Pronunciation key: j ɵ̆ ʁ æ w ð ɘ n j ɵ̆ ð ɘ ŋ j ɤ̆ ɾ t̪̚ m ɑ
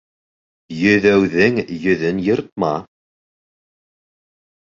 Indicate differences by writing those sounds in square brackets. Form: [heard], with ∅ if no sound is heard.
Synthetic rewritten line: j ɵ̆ [ð] æ w ð ɘ [ŋ] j ɵ̆ ð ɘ [n] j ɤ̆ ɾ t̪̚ m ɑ